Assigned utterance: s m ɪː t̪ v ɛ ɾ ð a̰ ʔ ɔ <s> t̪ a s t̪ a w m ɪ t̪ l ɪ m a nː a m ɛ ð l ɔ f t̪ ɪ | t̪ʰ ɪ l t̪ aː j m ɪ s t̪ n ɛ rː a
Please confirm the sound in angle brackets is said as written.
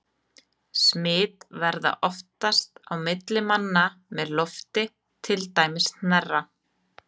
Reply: no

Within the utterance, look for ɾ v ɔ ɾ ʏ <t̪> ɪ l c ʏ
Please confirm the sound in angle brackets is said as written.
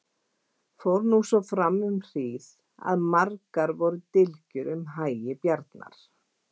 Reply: yes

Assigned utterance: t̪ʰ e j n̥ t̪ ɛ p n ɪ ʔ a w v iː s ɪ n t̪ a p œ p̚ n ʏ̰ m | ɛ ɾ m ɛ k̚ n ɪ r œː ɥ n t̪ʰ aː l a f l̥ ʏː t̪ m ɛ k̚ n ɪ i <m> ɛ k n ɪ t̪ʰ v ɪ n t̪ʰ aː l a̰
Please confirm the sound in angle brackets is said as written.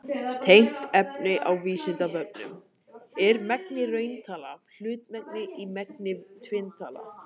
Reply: yes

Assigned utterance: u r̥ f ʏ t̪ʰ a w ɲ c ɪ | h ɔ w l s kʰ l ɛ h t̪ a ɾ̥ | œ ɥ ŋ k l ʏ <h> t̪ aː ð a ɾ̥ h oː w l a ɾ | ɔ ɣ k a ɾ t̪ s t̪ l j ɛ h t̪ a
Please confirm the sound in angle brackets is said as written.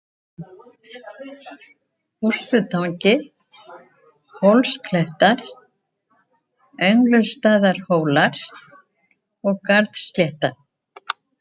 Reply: no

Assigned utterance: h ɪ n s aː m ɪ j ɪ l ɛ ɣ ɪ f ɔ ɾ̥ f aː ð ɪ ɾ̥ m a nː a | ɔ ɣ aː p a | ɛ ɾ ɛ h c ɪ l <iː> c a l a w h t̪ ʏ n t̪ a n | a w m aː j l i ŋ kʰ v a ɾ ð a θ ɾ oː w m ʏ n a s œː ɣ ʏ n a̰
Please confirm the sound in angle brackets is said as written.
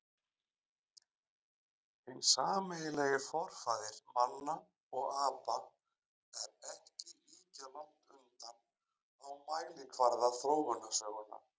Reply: yes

